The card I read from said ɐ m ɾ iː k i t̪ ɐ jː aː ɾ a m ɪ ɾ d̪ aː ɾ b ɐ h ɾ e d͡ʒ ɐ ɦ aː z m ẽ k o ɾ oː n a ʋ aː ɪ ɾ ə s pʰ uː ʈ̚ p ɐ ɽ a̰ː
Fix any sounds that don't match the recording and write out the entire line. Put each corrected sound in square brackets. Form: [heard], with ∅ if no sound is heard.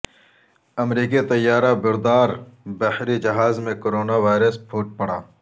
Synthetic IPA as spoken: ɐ m ɾ iː k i t̪ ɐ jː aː ɾ a [b] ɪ ɾ d̪ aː ɾ b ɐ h ɾ [i] d͡ʒ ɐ ɦ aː z m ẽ k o ɾ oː n a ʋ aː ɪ ɾ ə s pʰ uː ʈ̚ p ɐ ɽ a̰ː

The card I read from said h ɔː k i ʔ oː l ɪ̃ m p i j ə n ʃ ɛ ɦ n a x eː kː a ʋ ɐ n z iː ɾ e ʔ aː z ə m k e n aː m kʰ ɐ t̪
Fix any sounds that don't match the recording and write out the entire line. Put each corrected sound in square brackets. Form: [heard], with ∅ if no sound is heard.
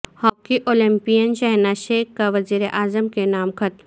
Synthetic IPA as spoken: h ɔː k i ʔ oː l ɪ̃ m p i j ə n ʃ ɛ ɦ n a [ʃ] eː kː a ʋ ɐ [∅] z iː ɾ e ʔ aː z ə m k e n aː m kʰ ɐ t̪

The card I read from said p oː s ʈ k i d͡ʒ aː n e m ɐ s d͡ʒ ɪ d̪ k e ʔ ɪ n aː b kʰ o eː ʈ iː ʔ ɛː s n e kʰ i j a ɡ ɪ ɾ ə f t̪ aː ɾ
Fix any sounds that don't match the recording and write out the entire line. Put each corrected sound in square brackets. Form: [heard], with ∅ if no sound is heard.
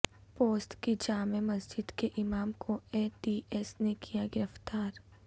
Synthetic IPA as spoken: p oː s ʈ k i d͡ʒ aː [m] e m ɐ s d͡ʒ ɪ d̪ k e ʔ ɪ [m] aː [m] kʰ o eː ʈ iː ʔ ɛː s n e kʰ i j a ɡ ɪ ɾ ə f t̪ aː ɾ

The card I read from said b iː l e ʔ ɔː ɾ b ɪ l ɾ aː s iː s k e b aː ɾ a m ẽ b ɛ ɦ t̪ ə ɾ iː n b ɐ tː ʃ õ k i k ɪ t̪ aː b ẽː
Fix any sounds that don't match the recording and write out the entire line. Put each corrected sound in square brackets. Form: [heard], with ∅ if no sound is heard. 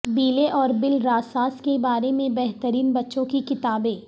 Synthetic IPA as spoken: b iː l e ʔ ɔː ɾ b ɪ l ɾ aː s [aː] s k e b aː ɾ [e] m ẽ b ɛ ɦ t̪ ə ɾ iː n b ɐ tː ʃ õ k i k ɪ t̪ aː b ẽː

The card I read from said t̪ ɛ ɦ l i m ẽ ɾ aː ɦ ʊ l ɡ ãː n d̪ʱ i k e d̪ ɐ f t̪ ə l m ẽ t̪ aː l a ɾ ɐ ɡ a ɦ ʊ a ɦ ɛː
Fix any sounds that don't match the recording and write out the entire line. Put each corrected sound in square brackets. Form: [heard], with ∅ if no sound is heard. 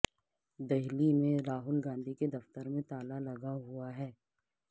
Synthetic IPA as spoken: [d̪] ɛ ɦ l i m ẽ ɾ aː ɦ ʊ l ɡ ãː n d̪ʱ i k e d̪ ɐ f t̪ ə [ɾ] m ẽ t̪ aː l a [l] ɐ ɡ a ɦ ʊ a ɦ ɛː

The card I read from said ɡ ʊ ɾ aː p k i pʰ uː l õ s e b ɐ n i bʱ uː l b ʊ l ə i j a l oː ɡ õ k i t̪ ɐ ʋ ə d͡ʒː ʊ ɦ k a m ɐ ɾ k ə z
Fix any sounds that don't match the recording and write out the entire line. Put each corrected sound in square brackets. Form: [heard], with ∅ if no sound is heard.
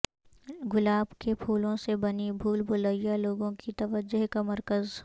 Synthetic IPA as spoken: ɡ ʊ [l] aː [b] k [e] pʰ uː l õ s e b ɐ n i bʱ uː l b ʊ l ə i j a l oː ɡ õ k i t̪ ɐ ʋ ə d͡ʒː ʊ ɦ k a m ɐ ɾ k ə z

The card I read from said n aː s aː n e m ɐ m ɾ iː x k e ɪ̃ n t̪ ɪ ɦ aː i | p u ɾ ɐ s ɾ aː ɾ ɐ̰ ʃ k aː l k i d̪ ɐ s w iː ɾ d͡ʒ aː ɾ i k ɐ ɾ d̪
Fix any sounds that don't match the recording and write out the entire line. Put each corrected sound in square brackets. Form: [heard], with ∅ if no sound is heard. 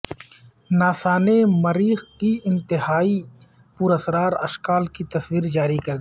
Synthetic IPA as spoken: n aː s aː n e m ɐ [∅] ɾ iː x k [i] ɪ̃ n t̪ ɪ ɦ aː i | p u ɾ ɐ s ɾ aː ɾ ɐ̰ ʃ k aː l k i [t̪] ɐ s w iː ɾ d͡ʒ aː ɾ i k ɐ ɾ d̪

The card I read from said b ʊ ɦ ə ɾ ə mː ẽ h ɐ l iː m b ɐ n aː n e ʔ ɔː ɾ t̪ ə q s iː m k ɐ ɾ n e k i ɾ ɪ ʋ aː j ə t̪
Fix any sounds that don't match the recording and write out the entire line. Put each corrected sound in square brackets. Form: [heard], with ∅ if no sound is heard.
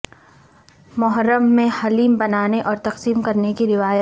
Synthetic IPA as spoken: [m] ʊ ɦ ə ɾ ə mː ẽ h ɐ l iː m b ɐ n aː n e ʔ ɔː ɾ t̪ [ɐ] q s iː m k ɐ ɾ n e k i ɾ ɪ ʋ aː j ə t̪

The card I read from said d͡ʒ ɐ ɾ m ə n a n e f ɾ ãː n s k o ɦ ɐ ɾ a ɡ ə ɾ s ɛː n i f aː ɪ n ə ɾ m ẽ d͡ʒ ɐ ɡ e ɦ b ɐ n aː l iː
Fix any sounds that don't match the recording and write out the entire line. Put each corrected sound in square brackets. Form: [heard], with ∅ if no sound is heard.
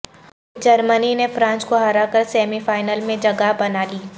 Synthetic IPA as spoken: d͡ʒ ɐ ɾ m ə n [i] n e f ɾ ãː n s k o ɦ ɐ ɾ a [k] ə ɾ s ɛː [m] i f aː ɪ n ə [l] m ẽ d͡ʒ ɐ ɡ [a] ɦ b ɐ n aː l iː

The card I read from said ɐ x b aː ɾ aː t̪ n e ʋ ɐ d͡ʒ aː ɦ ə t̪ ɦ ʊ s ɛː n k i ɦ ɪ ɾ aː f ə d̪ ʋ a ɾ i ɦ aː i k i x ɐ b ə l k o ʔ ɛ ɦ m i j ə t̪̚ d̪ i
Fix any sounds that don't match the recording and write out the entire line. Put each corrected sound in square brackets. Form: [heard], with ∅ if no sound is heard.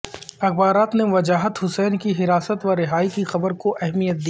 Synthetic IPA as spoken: ɐ x b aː ɾ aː t̪ n e ʋ ɐ d͡ʒ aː ɦ ə t̪ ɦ ʊ s ɛː n k i ɦ ɪ ɾ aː [s] ə [t̪] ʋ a ɾ [ɪ] ɦ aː i k i x ɐ b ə [ɾ] k o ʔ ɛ ɦ m i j ə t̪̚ d̪ i

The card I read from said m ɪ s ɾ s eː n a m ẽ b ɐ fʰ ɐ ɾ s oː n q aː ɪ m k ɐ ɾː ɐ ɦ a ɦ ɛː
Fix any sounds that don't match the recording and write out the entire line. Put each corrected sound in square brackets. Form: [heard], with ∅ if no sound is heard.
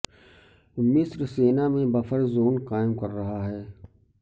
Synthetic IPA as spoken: m ɪ s ɾ s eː n a m ẽ b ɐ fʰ [ə] ɾ [z] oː n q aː ɪ m k ɐ ɾː ɐ ɦ a ɦ ɛː

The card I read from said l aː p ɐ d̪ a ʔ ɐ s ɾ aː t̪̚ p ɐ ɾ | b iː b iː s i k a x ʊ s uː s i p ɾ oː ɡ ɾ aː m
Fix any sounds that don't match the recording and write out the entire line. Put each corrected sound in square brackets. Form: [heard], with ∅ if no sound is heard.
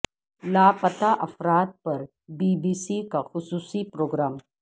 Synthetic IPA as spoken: l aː p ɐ [t̪] a ʔ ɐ [f] ɾ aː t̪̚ p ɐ ɾ | b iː b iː s i k a x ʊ s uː s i p ɾ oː ɡ ɾ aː m

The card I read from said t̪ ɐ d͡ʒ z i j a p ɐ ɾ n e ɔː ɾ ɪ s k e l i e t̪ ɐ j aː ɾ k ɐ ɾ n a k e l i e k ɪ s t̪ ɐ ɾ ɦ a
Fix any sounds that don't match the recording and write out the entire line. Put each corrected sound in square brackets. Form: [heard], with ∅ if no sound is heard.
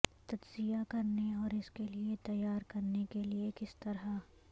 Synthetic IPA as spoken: t̪ ɐ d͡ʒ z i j a [k] ɐ ɾ n e ɔː ɾ ɪ s k e l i e t̪ ɐ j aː ɾ k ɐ ɾ n [e] k e l i e k ɪ s t̪ ɐ ɾ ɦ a

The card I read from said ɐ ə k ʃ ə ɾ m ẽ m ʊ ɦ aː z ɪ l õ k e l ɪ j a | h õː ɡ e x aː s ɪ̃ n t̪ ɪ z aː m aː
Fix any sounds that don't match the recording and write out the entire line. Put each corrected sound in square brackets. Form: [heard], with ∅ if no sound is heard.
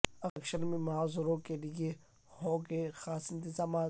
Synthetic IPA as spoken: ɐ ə k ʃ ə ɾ m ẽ m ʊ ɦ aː z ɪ [ɾ] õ k e l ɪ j [e] | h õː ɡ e x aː s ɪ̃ n t̪ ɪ z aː m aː

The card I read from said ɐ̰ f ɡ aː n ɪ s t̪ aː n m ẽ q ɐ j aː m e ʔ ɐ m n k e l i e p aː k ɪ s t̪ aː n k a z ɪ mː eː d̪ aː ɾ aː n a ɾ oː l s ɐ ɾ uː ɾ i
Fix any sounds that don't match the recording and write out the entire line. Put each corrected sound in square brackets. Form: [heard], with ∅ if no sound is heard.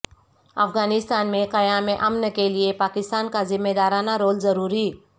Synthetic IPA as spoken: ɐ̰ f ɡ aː n ɪ s t̪ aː n m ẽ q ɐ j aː m e ʔ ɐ m n k e l i e p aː k ɪ s t̪ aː n k a z ɪ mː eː d̪ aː ɾ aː n a ɾ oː l [z] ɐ ɾ uː ɾ i

